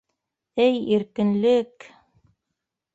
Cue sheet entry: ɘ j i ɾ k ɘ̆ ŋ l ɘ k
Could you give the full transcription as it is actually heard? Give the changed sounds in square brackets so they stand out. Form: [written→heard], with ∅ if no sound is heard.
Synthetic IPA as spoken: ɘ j i ɾ k ɘ̆ [ŋ→n] l ɘ k